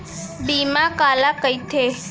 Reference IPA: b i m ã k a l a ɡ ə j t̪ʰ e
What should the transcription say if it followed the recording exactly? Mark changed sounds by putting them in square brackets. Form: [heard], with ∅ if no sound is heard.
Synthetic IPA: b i m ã k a l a [k] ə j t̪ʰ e